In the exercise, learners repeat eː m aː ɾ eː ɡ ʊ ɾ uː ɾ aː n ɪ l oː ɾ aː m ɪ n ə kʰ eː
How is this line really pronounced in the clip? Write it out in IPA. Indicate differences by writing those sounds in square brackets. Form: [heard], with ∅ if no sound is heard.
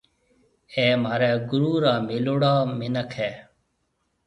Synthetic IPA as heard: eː m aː ɾ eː ɡ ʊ ɾ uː ɾ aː [m] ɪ l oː [ɽ] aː m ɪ n ə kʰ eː